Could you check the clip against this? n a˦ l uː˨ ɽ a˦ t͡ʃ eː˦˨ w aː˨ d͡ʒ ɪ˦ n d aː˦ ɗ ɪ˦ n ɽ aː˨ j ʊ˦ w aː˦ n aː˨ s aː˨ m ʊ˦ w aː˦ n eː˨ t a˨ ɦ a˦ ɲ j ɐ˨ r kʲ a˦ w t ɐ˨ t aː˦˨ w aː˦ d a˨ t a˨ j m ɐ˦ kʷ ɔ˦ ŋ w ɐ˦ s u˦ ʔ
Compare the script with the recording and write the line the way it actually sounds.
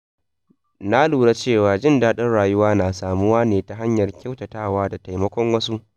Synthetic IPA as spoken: n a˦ l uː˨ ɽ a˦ t͡ʃ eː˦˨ w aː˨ d͡ʒ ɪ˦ n d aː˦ ɗ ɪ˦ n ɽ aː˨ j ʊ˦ w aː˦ n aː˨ s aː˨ m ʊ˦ w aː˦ n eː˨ t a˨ ɦ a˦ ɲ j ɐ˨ r kʲ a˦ w t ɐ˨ t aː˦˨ w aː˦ d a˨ t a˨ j m ɐ˦ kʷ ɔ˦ ŋ w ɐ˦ s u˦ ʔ